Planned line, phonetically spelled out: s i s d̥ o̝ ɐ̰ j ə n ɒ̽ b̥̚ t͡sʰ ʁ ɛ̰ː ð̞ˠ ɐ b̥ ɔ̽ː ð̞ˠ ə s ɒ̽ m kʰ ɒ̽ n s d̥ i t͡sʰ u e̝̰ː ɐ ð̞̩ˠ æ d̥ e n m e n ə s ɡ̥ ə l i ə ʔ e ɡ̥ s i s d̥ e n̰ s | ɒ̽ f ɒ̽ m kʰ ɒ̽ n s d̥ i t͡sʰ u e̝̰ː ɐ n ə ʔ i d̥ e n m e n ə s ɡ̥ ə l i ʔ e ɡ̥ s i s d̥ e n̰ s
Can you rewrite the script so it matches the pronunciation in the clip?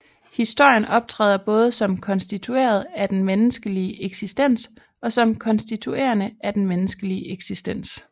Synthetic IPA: h i s d̥ o̝ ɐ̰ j ə n ɒ̽ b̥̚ t͡sʰ ʁ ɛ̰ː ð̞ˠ ɐ b̥ ɔ̽ː ð̞ˠ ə s ɒ̽ m kʰ ɒ̽ n s d̥ i t͡sʰ u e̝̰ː ɐ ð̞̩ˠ æ d̥ e n m e n ə s ɡ̥ ə l i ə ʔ e ɡ̥ s i s d̥ e n̰ s | ɒ̽ s ɒ̽ m kʰ ɒ̽ n s d̥ i t͡sʰ u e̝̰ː ɐ n ə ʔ æ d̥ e n m e n ə s ɡ̥ ə l i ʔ e ɡ̥ s i s d̥ e n̰ s